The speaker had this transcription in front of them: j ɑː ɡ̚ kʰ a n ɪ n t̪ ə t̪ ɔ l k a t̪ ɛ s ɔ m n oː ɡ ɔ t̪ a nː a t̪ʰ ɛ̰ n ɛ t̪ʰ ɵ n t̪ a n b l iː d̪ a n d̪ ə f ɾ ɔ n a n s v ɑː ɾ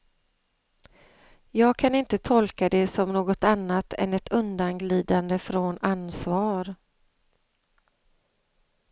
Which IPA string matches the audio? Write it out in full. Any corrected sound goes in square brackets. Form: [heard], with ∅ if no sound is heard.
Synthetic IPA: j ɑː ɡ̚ kʰ a n ɪ n t̪ ə [t̪ʰ] ɔ l k a [d̪] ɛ s ɔ m n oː ɡ ɔ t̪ a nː a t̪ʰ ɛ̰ n ɛ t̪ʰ ɵ n [d̪] a n [ɡ] l iː d̪ a n d̪ ə f ɾ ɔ n a n s v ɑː ɾ